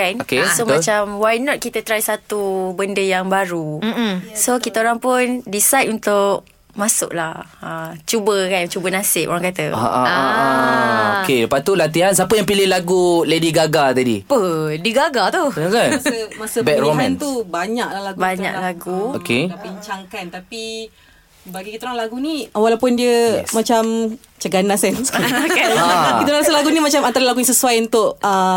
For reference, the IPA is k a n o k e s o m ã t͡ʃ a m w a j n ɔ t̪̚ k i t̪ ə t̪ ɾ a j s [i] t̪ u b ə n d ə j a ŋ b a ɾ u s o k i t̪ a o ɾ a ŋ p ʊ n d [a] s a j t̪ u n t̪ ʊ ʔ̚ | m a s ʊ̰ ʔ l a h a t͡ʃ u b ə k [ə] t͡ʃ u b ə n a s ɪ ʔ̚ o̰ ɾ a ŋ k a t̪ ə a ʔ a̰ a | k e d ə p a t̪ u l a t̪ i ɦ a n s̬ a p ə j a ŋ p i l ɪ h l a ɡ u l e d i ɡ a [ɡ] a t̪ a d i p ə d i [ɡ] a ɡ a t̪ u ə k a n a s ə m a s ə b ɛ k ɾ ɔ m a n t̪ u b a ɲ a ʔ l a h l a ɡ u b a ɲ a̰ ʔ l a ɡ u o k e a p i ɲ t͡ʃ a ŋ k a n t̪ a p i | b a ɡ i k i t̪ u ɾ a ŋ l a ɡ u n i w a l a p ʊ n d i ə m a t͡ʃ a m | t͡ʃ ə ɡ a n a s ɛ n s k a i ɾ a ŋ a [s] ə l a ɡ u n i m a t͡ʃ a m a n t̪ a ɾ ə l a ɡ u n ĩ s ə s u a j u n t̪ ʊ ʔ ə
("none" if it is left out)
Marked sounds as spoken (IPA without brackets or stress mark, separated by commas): a, i, a, ɡ, ɡ, s